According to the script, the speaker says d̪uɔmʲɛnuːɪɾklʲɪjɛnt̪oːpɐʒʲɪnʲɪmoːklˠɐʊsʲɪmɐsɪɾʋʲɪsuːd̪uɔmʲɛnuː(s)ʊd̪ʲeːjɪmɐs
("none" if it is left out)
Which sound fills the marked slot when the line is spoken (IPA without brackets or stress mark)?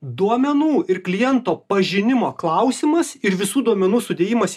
s